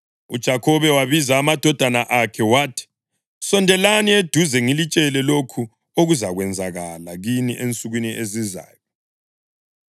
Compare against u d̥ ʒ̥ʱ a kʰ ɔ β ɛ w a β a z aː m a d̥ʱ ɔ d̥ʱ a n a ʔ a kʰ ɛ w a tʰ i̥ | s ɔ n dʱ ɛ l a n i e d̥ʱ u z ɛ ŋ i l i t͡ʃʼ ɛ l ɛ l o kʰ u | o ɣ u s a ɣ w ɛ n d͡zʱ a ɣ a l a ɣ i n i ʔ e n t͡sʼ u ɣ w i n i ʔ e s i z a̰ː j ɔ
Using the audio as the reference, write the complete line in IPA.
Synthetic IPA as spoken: u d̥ ʒ̥ʱ a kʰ ɔ β ɛ w a β i z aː m a d̥ʱ ɔ d̥ʱ a n a ʔ a kʰ ɛ w a tʰ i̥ | s ɔ n dʱ ɛ l a n i e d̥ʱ u z ɛ ŋ i l i t͡ʃʼ ɛ l ɛ l o kʰ u | o ɣ u z a ɣ w ɛ n d͡zʱ a ɣ a l a ɣ i n i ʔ e n t͡sʼ u ɣ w i n i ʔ e z i z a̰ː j ɔ